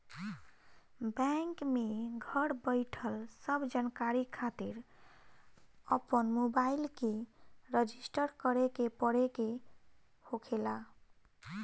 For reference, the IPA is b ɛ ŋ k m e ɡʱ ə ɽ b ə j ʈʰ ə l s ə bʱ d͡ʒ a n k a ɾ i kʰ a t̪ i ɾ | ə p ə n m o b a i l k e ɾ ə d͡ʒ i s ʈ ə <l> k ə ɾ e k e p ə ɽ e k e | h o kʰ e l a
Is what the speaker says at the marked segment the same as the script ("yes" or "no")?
no